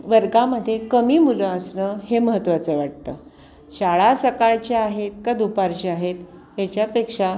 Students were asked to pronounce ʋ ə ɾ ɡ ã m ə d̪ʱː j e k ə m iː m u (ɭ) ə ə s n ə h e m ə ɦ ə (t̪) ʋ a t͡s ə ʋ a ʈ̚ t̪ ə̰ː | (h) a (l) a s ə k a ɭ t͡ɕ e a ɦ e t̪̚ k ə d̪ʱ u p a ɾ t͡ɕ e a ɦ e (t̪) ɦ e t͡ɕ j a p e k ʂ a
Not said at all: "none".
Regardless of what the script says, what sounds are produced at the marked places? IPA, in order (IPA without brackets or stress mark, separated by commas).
l, t̪, ɕ, ɭ, t̪